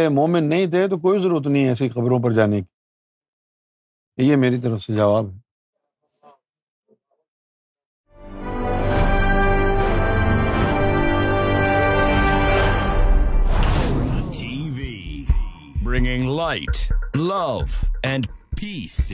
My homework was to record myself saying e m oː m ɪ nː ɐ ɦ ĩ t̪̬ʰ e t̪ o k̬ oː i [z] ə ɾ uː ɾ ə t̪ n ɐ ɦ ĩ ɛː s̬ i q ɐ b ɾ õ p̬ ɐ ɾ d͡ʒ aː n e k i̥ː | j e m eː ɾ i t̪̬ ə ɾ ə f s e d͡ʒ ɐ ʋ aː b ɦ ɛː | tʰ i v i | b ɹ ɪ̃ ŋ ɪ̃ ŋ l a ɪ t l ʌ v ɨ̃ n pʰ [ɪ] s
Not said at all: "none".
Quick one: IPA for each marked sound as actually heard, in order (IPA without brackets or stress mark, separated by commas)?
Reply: z, i